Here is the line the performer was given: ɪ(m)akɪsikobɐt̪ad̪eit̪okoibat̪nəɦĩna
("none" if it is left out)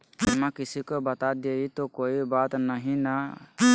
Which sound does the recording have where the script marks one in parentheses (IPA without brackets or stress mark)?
m